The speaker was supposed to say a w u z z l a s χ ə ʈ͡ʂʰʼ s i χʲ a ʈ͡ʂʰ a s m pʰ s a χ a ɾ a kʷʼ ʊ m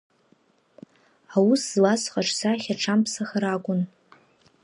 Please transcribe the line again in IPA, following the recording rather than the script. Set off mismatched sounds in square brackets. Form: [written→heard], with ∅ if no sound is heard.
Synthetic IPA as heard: a w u [z→s] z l a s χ [ə→a] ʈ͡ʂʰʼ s [i→a] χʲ a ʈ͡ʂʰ a [s→∅] m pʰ s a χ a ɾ a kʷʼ ʊ [m→n]

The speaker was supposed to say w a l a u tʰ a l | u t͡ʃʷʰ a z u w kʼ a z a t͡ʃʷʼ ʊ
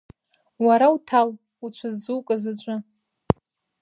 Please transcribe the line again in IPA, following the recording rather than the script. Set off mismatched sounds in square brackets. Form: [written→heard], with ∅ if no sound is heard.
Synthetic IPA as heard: w a [l→ɾ] a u tʰ a l | u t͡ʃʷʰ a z u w kʼ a z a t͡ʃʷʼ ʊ

